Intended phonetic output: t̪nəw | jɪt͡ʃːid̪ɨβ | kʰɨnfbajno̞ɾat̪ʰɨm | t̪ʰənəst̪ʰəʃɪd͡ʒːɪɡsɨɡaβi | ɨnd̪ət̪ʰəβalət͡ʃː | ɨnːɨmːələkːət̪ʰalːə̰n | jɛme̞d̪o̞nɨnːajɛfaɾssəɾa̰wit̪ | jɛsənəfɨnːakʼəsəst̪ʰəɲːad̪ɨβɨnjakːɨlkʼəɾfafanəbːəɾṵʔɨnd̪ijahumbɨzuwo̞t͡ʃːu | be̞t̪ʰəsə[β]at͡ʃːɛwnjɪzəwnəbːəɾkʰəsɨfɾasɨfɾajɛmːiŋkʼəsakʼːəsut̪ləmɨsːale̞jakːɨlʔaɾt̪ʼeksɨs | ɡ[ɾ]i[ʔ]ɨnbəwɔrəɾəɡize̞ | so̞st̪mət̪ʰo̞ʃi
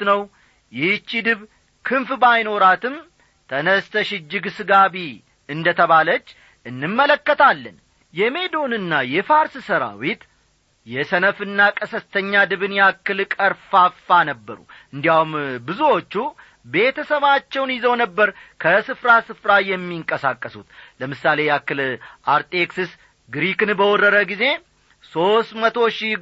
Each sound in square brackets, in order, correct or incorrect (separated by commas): correct, correct, incorrect